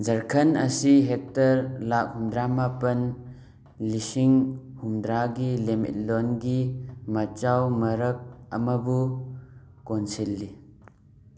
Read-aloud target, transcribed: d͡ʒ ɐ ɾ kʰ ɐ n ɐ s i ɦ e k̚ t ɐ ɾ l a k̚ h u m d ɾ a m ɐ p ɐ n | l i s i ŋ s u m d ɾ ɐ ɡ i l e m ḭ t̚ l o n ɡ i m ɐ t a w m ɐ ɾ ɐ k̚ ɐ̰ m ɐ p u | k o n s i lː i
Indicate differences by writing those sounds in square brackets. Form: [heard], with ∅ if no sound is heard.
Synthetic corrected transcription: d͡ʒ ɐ ɾ kʰ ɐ n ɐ s i ɦ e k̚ t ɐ ɾ l a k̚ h u m d ɾ a m [a] p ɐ n | l i s i ŋ [h] u m d ɾ [a] ɡ i l e m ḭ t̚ l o n ɡ i m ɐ [t͡ʃ] a w m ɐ ɾ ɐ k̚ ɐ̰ m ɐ [b] u | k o n s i lː i